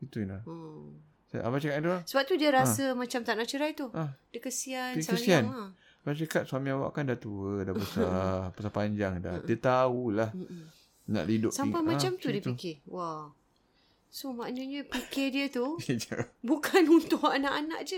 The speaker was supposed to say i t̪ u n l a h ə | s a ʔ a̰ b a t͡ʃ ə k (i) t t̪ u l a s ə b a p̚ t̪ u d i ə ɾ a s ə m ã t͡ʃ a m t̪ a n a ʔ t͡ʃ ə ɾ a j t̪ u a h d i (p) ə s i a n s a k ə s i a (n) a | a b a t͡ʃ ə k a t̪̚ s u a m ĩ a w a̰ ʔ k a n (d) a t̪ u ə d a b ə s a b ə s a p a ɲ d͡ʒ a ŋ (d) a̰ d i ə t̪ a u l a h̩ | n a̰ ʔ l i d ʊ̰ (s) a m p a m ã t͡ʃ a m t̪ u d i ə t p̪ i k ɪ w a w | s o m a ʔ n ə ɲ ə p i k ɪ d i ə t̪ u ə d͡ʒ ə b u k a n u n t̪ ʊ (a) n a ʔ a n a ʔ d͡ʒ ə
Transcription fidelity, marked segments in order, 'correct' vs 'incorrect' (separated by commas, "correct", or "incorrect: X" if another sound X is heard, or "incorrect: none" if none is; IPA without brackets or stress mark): incorrect: a, incorrect: k, correct, correct, correct, correct, correct